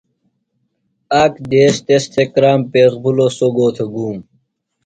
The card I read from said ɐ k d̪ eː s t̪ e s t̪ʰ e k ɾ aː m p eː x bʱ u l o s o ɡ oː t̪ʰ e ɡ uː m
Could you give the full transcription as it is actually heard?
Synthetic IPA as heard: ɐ k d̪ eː s t̪ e s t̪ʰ e k ɾ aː m p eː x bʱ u l o s o ɡ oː t̪ʰ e ɡ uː m